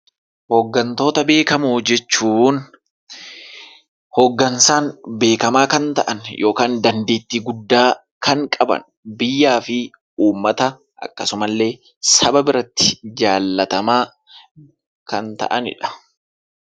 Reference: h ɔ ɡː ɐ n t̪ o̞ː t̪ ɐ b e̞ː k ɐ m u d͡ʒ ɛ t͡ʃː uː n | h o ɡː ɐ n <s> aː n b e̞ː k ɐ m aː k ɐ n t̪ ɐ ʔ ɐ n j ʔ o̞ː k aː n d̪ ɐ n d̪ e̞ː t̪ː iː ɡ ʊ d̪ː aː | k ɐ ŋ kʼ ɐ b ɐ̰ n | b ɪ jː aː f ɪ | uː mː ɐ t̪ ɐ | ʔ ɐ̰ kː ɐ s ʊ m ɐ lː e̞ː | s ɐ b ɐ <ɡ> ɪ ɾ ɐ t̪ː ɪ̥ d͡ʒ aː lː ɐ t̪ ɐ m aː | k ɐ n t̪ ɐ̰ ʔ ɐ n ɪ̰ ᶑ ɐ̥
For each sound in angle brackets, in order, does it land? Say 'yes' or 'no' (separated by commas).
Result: yes, no